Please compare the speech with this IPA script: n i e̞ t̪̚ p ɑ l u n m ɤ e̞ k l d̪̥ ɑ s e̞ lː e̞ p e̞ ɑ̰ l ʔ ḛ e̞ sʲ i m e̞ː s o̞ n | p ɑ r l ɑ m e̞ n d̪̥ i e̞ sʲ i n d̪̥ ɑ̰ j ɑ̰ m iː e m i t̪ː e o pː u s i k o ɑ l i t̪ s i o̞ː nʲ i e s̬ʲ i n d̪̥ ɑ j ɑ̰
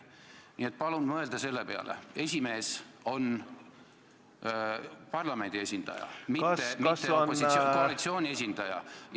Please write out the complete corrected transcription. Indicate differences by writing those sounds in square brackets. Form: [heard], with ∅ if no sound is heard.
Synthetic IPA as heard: n i e̞ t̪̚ p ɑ l u n m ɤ e̞ [∅] l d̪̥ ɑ s e̞ lː e̞ p e̞ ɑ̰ l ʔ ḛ e̞ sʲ i m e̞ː s o̞ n | p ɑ r l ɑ m e̞ n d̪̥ i e̞ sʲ i n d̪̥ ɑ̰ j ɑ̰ m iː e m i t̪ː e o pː [o] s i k o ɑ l i t̪ s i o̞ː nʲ i e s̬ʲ i n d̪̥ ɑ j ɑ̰